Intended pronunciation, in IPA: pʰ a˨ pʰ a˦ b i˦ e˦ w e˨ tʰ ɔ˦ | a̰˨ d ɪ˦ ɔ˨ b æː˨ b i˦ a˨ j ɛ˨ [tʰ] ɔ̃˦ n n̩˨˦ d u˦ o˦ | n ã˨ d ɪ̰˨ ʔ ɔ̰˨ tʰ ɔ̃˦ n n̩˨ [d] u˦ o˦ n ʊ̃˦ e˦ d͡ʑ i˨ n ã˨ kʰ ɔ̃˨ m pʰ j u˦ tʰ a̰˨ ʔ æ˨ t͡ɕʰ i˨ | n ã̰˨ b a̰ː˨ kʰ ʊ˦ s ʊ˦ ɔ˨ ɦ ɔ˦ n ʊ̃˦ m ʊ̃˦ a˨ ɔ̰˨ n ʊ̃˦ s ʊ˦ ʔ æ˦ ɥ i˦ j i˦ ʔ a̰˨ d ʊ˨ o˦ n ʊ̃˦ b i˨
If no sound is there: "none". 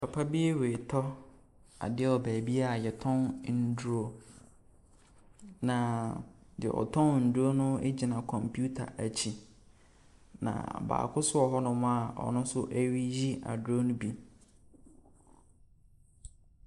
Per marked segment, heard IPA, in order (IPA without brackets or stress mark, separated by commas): tʰ, d